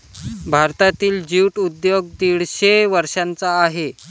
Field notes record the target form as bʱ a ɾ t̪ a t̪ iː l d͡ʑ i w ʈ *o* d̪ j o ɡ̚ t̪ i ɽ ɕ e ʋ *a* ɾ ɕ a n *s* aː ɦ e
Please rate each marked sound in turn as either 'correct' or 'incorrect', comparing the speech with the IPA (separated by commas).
incorrect, incorrect, incorrect